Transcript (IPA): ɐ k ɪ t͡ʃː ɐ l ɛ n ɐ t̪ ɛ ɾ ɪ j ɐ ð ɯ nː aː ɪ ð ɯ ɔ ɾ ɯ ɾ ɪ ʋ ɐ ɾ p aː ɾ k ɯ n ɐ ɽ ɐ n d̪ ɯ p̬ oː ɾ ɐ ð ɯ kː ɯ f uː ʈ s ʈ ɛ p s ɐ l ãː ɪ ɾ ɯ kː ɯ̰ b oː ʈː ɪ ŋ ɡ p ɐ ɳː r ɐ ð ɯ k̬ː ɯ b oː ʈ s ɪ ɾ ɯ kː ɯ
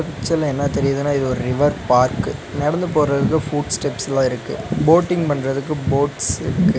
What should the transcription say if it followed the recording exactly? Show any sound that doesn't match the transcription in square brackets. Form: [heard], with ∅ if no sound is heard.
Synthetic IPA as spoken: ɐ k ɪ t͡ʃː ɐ l ɛ [nː] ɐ t̪ ɛ ɾ ɪ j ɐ ð ɯ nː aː ɪ ð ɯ ɔ ɾ ɯ ɾ ɪ ʋ ɐ ɾ p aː ɾ k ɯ n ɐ ɽ ɐ n d̪ ɯ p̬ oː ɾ ɐ ð ɯ kː ɯ f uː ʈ s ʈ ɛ p s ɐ l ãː ɪ ɾ ɯ kː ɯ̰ b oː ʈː ɪ ŋ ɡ p ɐ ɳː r ɐ ð ɯ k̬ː ɯ b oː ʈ s ɪ ɾ ɯ kː ɯ